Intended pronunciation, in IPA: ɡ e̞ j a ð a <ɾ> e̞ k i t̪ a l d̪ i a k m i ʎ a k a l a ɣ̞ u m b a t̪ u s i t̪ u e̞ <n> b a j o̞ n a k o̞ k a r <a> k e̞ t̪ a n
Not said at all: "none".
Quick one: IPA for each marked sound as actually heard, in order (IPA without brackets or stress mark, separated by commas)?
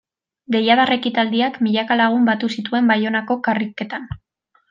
r, m, i